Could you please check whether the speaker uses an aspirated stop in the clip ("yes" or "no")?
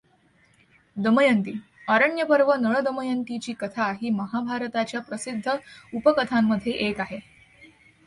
yes